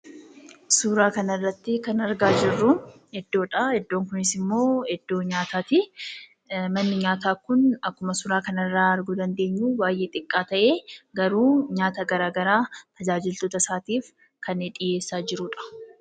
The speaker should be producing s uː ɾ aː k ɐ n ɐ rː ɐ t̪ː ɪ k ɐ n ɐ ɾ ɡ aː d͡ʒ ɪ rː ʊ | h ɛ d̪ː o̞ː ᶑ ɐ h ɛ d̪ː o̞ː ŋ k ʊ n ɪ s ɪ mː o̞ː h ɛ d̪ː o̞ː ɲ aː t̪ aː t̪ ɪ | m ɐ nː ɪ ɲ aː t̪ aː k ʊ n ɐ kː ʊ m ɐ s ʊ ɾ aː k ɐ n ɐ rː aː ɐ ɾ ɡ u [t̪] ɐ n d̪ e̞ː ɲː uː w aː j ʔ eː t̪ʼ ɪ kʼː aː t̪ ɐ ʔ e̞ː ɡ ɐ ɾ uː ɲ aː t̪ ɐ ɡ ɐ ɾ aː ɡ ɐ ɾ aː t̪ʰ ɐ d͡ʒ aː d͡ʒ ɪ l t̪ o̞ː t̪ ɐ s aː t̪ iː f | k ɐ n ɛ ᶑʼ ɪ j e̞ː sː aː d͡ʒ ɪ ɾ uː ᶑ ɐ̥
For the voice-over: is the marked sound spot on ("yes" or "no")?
no